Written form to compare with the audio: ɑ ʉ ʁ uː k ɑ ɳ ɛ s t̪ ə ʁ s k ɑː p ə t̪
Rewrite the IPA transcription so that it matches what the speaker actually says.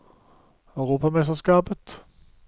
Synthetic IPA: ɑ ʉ ʁ uː p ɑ m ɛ s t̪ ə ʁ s k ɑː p ə t̪